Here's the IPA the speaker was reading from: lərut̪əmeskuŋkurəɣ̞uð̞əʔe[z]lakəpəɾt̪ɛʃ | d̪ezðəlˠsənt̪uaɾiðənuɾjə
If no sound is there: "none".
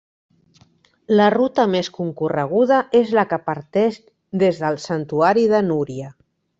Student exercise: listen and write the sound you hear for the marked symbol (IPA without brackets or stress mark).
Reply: z